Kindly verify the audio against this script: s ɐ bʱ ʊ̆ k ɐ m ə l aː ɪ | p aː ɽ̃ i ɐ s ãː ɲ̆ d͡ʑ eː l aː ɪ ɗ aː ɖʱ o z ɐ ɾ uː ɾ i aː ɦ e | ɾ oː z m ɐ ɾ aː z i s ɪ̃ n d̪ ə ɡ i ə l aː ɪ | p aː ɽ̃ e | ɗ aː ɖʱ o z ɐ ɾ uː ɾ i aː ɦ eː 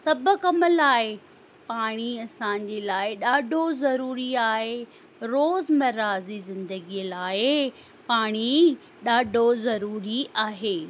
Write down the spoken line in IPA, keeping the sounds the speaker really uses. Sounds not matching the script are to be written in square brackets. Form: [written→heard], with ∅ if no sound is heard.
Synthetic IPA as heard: s ɐ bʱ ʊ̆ k ɐ m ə l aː ɪ | p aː ɽ̃ i ɐ s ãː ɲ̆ d͡ʑ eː l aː ɪ ɗ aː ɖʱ o z ɐ ɾ uː ɾ i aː ɦ e | ɾ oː z m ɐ ɾ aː z i [s→z] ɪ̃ n d̪ ə ɡ i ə l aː ɪ | p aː ɽ̃ [e→i] | ɗ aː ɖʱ o z ɐ ɾ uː ɾ i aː ɦ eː

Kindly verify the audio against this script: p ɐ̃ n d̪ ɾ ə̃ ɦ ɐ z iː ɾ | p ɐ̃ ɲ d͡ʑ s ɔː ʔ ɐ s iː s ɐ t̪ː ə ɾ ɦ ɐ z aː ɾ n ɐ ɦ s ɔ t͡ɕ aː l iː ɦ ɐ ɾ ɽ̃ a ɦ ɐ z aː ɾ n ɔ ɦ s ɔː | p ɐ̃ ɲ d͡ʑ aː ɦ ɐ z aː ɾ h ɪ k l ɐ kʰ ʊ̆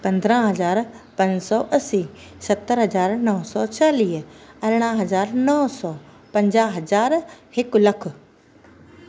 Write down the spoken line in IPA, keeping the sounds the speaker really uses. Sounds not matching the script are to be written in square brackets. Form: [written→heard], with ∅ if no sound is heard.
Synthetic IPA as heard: p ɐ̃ n d̪ ɾ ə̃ ɦ ɐ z [iː→aː] ɾ | p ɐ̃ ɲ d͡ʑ s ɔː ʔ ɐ s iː s ɐ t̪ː ə ɾ ɦ ɐ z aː ɾ n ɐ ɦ s ɔ t͡ɕ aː l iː ɦ ɐ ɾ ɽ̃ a ɦ ɐ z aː ɾ n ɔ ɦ s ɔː | p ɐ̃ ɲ d͡ʑ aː ɦ ɐ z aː ɾ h ɪ k l ɐ kʰ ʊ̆

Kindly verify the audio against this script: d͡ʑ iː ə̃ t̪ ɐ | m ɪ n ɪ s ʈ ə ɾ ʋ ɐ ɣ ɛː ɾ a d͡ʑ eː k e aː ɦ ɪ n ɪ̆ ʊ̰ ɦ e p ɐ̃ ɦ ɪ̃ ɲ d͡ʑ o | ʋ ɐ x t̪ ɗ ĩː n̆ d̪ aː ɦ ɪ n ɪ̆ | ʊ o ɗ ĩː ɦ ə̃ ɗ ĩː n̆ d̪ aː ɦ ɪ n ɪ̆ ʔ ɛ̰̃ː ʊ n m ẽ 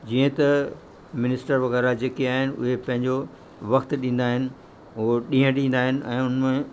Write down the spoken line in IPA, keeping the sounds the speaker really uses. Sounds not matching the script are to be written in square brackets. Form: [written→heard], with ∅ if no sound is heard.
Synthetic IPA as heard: d͡ʑ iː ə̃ t̪ ɐ | m ɪ n ɪ s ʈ ə ɾ ʋ ɐ ɣ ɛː ɾ a d͡ʑ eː k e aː ɦ ɪ n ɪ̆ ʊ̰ ɦ e p ɐ̃ ɦ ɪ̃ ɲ d͡ʑ o | ʋ ɐ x t̪ ɗ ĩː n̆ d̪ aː ɦ ɪ n ɪ̆ | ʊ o ɗ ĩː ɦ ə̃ ɗ ĩː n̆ d̪ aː ɦ ɪ n ɪ̆ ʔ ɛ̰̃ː ʊ n m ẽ

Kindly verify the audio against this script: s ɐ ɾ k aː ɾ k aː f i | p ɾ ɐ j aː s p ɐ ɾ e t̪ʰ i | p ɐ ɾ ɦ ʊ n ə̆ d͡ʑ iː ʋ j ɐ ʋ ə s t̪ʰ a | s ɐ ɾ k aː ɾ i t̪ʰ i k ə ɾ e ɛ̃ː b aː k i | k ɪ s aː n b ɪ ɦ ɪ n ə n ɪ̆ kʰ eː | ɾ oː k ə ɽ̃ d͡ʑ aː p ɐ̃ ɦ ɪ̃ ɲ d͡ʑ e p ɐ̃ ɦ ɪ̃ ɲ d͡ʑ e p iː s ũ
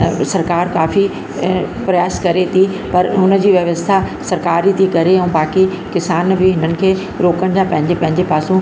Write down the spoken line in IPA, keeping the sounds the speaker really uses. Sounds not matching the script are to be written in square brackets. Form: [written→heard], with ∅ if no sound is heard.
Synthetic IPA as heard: s ɐ ɾ k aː ɾ k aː f i | p ɾ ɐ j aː s [p→k] ɐ ɾ e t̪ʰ i | p ɐ ɾ ɦ ʊ n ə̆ d͡ʑ iː ʋ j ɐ ʋ ə s t̪ʰ a | s ɐ ɾ k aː ɾ i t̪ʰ i k [ə→ɐ] ɾ e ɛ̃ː b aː k i | k ɪ s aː n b ɪ ɦ ɪ n ə n ɪ̆ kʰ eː | ɾ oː k ə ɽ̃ d͡ʑ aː p ɐ̃ ɦ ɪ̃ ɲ d͡ʑ e p ɐ̃ ɦ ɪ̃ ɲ d͡ʑ e p [iː→aː] s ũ

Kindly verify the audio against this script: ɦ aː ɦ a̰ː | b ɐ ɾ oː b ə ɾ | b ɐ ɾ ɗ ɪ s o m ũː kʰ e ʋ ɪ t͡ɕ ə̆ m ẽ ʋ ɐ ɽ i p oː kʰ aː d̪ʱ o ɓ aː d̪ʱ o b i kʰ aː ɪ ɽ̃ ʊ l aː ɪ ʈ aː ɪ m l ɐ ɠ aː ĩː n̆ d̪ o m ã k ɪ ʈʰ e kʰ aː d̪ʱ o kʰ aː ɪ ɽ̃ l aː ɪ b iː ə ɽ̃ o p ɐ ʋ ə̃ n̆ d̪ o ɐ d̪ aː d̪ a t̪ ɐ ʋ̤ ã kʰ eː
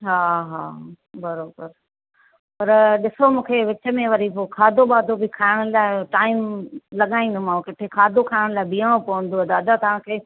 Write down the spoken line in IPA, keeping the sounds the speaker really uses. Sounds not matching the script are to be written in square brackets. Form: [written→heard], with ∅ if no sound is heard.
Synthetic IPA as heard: ɦ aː ɦ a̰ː | b ɐ ɾ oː b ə ɾ | [b→p] ɐ ɾ ɗ ɪ s o m ũː kʰ e ʋ ɪ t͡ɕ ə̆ m ẽ ʋ ɐ [ɽ→ɾ] i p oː kʰ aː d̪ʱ o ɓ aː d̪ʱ o b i kʰ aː ɪ ɽ̃ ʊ l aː ɪ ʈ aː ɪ m l ɐ ɠ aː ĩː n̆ d̪ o m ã k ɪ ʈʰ e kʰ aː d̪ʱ o kʰ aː ɪ ɽ̃ l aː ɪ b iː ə ɽ̃ o p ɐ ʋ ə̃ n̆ d̪ o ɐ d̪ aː d̪ a t̪ ɐ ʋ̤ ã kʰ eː

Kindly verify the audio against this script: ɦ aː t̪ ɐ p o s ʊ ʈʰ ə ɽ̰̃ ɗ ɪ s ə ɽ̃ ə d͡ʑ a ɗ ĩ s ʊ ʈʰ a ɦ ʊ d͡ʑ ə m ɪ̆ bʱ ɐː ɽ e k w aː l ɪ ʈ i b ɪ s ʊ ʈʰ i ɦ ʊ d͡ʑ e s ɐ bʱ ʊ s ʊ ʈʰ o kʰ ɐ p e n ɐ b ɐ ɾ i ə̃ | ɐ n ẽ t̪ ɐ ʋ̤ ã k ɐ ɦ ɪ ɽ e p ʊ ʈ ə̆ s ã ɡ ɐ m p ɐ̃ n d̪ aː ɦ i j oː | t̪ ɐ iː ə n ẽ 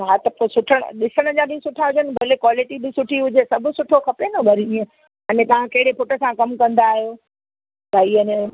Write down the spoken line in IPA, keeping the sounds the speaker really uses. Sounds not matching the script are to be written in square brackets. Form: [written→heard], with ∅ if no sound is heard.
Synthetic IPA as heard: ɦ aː t̪ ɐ p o s ʊ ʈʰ ə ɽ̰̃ ɗ ɪ s ə ɽ̃ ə d͡ʑ a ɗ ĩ s ʊ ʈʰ a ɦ ʊ d͡ʑ ə [m→n] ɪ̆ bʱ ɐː [ɽ→l] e k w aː l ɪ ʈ i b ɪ s ʊ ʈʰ i ɦ ʊ d͡ʑ e s ɐ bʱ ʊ s ʊ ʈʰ o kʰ ɐ p e n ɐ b ɐ ɾ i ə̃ | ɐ n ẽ t̪ ɐ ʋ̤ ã k ɐ ɦ ɪ ɽ e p ʊ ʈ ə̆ s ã [ɡ→k] ɐ m [p→k] ɐ̃ n d̪ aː ɦ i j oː | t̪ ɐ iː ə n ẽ

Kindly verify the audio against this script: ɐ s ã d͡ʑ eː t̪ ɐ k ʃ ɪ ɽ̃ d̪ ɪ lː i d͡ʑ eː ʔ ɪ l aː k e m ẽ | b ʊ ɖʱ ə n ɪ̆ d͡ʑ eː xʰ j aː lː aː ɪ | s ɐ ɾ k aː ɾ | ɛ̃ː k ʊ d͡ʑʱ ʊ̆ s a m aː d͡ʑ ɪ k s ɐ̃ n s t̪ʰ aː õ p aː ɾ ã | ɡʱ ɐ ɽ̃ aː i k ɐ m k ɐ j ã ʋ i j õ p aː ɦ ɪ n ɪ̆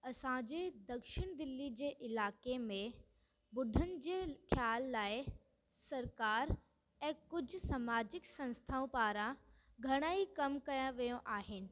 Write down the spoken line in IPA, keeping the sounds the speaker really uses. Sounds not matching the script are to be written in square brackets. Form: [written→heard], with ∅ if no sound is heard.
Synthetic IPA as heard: ɐ s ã d͡ʑ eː [t̪→d̪] ɐ k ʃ ɪ ɽ̃ d̪ ɪ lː i d͡ʑ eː ʔ ɪ l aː k e m ẽ | b ʊ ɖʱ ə n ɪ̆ d͡ʑ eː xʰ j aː lː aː ɪ | s ɐ ɾ k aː ɾ | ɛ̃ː k ʊ d͡ʑʱ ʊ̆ s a m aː d͡ʑ ɪ k s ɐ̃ n s t̪ʰ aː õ p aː ɾ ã | ɡʱ ɐ ɽ̃ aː i k ɐ m k ɐ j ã ʋ i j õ [p→ʔ] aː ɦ ɪ n ɪ̆

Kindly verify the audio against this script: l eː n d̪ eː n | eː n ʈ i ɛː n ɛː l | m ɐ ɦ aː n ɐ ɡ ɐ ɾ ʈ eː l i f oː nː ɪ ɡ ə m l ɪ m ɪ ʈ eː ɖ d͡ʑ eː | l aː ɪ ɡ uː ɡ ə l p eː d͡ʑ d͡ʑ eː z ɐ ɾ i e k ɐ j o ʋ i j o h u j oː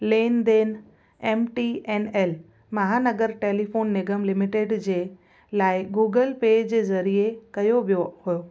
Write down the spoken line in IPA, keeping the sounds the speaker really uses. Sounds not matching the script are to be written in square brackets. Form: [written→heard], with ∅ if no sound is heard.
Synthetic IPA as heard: l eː n d̪ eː n | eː [n→m] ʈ i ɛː n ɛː l | m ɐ ɦ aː n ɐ ɡ [ɐ→ə] ɾ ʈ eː l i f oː nː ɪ ɡ ə m l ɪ m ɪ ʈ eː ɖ d͡ʑ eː | l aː ɪ ɡ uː ɡ ə l p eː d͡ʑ d͡ʑ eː z ɐ ɾ i e k ɐ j o ʋ i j o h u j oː

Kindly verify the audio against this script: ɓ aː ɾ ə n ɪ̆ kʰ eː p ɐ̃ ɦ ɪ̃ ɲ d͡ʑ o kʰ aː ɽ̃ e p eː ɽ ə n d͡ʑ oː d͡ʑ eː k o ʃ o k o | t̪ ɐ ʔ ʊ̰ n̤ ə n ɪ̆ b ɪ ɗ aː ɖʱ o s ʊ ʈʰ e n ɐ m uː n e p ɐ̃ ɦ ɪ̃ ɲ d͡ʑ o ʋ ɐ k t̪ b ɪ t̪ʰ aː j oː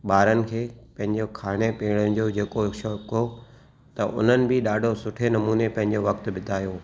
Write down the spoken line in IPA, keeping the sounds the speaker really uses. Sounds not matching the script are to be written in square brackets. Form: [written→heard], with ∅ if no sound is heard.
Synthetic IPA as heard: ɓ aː ɾ ə n ɪ̆ kʰ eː p ɐ̃ ɦ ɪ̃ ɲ d͡ʑ o kʰ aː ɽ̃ e p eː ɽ ə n d͡ʑ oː d͡ʑ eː k o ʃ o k o | t̪ ɐ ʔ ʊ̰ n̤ ə n ɪ̆ b ɪ ɗ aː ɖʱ o s ʊ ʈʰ e n ɐ m uː n e p ɐ̃ ɦ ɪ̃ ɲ d͡ʑ o ʋ ɐ k t̪ b ɪ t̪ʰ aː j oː

